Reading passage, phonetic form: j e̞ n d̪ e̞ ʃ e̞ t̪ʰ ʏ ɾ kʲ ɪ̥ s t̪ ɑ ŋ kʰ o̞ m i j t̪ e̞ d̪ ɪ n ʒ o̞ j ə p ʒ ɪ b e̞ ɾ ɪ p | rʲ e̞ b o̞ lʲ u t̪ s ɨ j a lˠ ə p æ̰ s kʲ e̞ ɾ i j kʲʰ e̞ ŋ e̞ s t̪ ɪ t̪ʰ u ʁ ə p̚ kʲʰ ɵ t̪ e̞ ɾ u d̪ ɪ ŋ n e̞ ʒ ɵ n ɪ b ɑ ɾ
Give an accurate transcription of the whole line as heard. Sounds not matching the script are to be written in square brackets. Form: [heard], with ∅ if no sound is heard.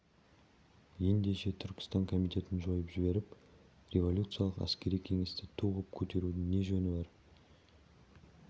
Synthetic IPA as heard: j e̞ n d̪ e̞ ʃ e̞ t̪ʰ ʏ ɾ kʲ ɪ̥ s t̪ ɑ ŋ kʰ o̞ m i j t̪ e̞ [t̪] ɪ n ʒ o̞ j ə p ʒ ɪ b e̞ ɾ ɪ p | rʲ e̞ [v] o̞ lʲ u t̪ s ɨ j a lˠ ə [q] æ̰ s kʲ e̞ ɾ i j kʲʰ e̞ ŋ e̞ s t̪ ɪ t̪ʰ u ʁ ə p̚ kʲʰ ɵ t̪ e̞ ɾ u d̪ ɪ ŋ n e̞ ʒ ɵ n ɪ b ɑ ɾ

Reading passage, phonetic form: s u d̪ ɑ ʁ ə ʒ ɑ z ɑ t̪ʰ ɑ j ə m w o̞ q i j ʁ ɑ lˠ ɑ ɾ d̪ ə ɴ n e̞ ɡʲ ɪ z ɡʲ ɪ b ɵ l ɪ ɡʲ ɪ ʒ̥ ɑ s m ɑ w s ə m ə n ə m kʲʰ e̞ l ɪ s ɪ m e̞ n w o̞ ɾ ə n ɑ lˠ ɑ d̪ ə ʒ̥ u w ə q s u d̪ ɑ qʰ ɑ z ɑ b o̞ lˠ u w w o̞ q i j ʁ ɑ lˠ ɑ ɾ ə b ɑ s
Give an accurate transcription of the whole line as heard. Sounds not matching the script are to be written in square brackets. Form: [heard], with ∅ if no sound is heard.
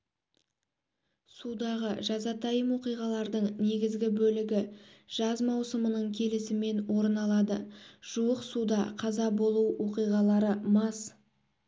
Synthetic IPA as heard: s u d̪ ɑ ʁ ə ʒ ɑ z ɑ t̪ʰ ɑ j ə m w o̞ q i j ʁ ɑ lˠ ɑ ɾ d̪ ə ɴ n e̞ ɡʲ ɪ z ɡʲ ɪ b ɵ l ɪ ɡʲ ɪ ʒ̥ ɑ [z] m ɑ w s ə m ə n ə [ɴ] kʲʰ e̞ l ɪ s ɪ m e̞ n w o̞ ɾ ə n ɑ lˠ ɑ d̪ ə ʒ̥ u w ə q s u d̪ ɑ qʰ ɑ z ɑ b o̞ lˠ u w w o̞ q i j ʁ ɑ lˠ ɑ ɾ ə [m] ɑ s

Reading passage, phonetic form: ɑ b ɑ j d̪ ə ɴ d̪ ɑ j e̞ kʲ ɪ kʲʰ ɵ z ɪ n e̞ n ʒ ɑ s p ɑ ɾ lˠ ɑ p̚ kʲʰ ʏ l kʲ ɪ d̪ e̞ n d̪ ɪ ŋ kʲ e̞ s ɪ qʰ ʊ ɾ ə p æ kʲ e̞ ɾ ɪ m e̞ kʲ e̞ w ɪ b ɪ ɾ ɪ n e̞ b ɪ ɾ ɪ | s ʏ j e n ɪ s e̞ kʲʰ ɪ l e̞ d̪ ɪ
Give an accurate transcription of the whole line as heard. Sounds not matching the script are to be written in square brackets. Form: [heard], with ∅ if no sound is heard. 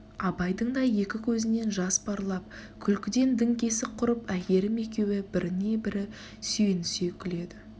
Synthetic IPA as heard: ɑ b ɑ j d̪ ə ɴ d̪ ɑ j e̞ kʲ ɪ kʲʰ ɵ z ɪ n e̞ n ʒ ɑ s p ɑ ɾ lˠ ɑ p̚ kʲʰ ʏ l kʲ ɪ d̪ e̞ n d̪ ɪ ŋ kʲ e̞ s ɪ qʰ ʊ ɾ ə p æ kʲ e̞ ɾ ɪ m e̞ kʲ e̞ w ɪ b ɪ ɾ ɪ n e̞ b ɪ ɾ ɪ | s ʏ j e n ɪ s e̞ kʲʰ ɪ l e̞ d̪ ɪ

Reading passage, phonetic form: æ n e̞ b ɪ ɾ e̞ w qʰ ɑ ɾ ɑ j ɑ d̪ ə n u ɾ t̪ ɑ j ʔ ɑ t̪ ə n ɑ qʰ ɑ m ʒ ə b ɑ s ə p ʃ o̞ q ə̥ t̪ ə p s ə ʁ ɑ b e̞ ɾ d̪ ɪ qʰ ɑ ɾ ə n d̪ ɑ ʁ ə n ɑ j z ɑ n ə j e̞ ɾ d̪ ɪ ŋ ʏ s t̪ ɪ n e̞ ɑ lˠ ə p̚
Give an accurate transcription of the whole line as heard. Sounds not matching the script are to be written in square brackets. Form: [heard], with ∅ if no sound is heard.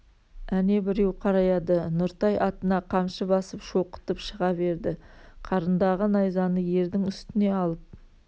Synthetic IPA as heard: æ n e̞ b ɪ ɾ e̞ w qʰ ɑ ɾ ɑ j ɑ d̪ ə n [ʊ] ɾ t̪ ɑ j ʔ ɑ t̪ ə n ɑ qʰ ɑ m [ʃ] ə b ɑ s ə p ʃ o̞ q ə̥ t̪ ə p [ʃ] ə ʁ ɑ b e̞ ɾ d̪ ɪ qʰ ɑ ɾ ə n d̪ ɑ ʁ ə n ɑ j z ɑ n ə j e̞ ɾ d̪ ɪ ŋ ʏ s t̪ ɪ n e̞ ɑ lˠ ə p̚

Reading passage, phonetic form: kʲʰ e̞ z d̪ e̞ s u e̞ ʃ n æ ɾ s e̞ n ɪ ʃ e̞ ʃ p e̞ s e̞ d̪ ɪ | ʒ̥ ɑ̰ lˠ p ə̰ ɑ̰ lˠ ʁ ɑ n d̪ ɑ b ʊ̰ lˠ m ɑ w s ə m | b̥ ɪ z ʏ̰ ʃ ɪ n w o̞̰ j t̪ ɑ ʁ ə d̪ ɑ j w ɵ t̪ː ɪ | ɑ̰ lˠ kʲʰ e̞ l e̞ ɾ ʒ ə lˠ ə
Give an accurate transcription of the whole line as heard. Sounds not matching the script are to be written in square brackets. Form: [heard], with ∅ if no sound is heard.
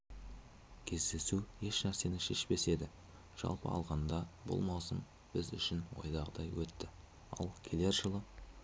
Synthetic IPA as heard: kʲʰ e̞ z d̪ e̞ s u e̞ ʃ n æ ɾ s e̞ n ɪ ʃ e̞ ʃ p e̞ s e̞ d̪ ɪ | ʒ̥ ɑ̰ lˠ p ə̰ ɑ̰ lˠ ʁ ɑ n d̪ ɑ b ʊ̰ lˠ m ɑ w s ə m | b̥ ɪ z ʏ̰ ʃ ɪ n w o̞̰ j [d̪] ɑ ʁ ə d̪ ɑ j w ɵ t̪ː ɪ | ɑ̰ lˠ kʲʰ e̞ l e̞ ɾ ʒ ə lˠ ə

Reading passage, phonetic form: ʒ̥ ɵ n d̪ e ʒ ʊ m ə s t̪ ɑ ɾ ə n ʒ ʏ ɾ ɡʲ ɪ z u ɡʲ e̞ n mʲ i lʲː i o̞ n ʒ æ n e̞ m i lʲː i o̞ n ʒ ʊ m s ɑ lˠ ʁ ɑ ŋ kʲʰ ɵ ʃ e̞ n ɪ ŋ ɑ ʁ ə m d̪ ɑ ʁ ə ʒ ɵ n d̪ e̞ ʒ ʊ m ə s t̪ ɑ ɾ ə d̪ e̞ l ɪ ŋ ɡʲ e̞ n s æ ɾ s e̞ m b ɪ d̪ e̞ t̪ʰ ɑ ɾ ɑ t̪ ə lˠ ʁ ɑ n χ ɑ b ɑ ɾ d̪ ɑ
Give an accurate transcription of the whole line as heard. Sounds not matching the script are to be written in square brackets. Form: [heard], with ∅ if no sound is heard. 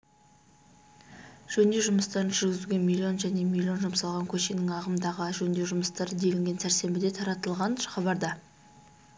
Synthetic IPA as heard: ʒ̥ ɵ n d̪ e ʒ ʊ m ə s t̪ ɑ ɾ ə n ʒ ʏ ɾ ɡʲ ɪ z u ɡʲ e̞ n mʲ i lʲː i o̞ n ʒ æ n e̞ m i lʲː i o̞ n ʒ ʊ m s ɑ lˠ ʁ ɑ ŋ kʲʰ ɵ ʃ e̞ n ɪ ŋ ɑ ʁ ə m d̪ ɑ ʁ ə ʒ ɵ n d̪ e̞ ʒ ʊ m ə s t̪ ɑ ɾ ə d̪ e̞ l ɪ ŋ ɡʲ e̞ n s æ ɾ s e̞ m b ɪ d̪ e̞ t̪ʰ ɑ ɾ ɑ t̪ ə lˠ ʁ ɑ n χ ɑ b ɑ ɾ d̪ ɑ

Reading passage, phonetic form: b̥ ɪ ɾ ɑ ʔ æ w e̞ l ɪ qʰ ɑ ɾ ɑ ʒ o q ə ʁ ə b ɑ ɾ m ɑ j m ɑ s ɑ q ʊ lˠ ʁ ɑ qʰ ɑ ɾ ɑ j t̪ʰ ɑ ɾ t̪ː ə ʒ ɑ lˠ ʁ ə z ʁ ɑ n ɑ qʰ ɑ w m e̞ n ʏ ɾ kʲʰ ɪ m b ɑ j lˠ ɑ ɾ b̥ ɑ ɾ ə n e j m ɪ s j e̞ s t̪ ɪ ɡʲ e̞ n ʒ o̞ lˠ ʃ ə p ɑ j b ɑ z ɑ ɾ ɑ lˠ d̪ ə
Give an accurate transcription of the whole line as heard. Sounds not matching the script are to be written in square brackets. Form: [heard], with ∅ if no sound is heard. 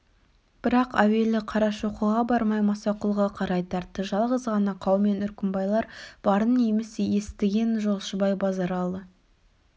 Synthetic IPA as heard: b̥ ɪ ɾ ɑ [q] æ w e̞ l ɪ qʰ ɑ ɾ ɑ [ʃ] o q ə ʁ [ɑ] b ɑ ɾ m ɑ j m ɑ s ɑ q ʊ lˠ ʁ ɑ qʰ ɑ ɾ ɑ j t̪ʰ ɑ ɾ t̪ː ə ʒ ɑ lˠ ʁ ə z ʁ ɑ n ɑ qʰ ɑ w m e̞ n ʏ ɾ [kʲ] ɪ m b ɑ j lˠ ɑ ɾ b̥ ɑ ɾ ə n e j m ɪ s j e̞ s t̪ ɪ ɡʲ e̞ n ʒ o̞ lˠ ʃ ə [b] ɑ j b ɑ z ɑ ɾ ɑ lˠ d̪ ə

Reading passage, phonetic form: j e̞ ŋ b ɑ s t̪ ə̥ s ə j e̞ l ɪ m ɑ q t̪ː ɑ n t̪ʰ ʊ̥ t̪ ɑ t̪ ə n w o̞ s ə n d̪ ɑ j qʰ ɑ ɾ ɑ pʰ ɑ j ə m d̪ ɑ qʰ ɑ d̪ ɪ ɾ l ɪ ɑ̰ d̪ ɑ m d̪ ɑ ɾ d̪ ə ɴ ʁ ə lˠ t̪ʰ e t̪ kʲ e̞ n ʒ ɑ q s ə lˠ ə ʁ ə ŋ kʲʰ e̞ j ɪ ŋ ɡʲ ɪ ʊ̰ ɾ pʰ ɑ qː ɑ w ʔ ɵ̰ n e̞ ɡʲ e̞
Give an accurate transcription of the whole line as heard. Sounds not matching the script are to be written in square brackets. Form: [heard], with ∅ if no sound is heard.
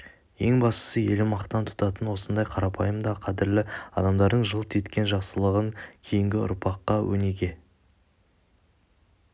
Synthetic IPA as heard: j e̞ ŋ b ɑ s t̪ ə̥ s ə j e̞ l ɪ m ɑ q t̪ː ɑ n t̪ʰ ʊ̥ t̪ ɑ t̪ ə n w o̞ s ə n d̪ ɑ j qʰ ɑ ɾ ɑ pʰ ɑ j ə m d̪ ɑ qʰ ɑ d̪ ɪ ɾ l ɪ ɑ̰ d̪ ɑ m d̪ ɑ ɾ d̪ ə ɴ [ʒ] ə lˠ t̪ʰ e t̪ kʲ e̞ n ʒ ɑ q s ə lˠ ə ʁ ə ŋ kʲʰ e̞ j ɪ ŋ ɡʲ ɪ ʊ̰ ɾ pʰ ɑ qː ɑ w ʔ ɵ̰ n e̞ ɡʲ e̞

